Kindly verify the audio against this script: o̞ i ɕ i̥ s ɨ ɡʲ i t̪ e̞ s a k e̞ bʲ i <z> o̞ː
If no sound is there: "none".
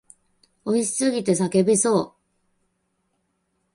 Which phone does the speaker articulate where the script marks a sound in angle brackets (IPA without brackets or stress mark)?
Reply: s